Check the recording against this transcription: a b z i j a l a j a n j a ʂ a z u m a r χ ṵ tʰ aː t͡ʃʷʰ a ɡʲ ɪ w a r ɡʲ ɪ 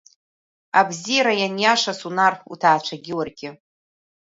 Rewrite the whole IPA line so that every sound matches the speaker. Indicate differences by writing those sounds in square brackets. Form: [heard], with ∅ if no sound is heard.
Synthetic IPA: a b z i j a [ɾ] a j a n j a ʂ a [s] u [n] a r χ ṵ tʰ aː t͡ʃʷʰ a ɡʲ ɪ w a r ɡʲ ɪ